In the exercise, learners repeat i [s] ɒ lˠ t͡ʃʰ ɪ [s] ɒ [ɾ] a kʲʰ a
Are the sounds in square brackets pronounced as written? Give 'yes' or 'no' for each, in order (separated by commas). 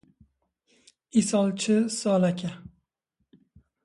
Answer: yes, yes, no